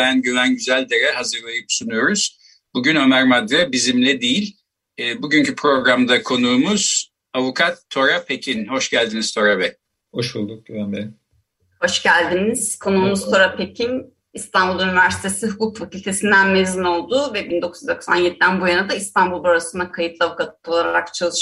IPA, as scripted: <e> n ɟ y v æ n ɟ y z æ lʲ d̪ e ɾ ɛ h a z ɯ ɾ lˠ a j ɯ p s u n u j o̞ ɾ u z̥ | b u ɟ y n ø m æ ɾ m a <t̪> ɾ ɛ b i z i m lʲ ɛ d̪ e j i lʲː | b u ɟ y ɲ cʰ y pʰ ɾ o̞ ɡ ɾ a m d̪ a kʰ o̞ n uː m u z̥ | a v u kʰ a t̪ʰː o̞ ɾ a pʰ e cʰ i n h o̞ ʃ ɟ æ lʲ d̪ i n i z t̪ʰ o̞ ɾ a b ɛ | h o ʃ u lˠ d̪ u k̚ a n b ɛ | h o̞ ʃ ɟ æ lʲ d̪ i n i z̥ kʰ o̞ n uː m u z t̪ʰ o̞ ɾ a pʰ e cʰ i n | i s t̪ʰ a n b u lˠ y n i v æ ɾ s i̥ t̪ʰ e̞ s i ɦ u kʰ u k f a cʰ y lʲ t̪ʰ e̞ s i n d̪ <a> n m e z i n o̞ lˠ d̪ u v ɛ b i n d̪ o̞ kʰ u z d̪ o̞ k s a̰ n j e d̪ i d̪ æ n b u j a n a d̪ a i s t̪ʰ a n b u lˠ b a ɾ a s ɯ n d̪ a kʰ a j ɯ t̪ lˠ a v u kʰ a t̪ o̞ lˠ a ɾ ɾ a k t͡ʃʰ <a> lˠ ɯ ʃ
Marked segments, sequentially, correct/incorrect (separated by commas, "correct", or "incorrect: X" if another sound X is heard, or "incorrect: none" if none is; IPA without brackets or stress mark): incorrect: æ, incorrect: d̪, incorrect: æ, correct